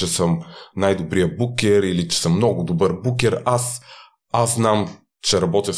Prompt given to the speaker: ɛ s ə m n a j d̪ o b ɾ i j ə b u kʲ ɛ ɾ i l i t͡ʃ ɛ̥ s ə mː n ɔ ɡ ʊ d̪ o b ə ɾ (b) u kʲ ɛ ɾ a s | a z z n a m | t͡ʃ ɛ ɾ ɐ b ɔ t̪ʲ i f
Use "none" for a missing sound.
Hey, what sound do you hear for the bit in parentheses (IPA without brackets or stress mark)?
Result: b